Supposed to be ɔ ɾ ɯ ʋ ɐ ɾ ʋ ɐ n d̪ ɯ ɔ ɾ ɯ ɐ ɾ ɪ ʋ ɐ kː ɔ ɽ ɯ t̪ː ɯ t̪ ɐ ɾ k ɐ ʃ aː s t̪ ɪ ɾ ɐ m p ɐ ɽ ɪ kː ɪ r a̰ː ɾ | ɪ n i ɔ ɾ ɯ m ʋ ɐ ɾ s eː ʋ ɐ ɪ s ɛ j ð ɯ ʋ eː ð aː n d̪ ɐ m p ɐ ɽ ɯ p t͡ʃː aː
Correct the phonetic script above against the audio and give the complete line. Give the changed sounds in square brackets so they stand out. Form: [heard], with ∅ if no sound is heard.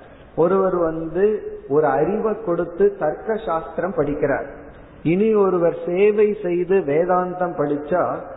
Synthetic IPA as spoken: ɔ ɾ ɯ ʋ ɐ ɾ ʋ ɐ n d̪ ɯ ɔ ɾ ɯ ɐ ɾ ɪ ʋ ɐ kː ɔ ɽ ɯ t̪ː ɯ t̪ ɐ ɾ k ɐ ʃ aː s t̪ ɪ ɾ ɐ m p ɐ ɽ ɪ kː ɪ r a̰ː ɾ | ɪ n i ɔ ɾ ɯ [∅] ʋ ɐ ɾ s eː ʋ ɐ ɪ s ɛ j ð ɯ ʋ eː ð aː n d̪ ɐ m p ɐ ɽ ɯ [∅] t͡ʃː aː